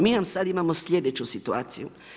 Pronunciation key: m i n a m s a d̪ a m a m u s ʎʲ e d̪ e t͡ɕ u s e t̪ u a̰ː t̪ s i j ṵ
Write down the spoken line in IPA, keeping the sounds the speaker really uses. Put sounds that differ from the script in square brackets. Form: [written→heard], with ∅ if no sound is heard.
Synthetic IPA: m i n a m s a d̪ [a→i] m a m [u→o] s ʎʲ e d̪ e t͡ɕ u s [e→i] t̪ u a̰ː t̪ s i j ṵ